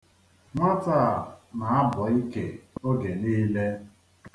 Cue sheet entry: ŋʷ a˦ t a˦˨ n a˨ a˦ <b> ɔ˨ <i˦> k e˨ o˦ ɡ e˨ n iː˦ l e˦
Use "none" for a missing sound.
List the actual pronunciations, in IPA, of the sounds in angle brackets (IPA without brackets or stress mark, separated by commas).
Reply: b, i˦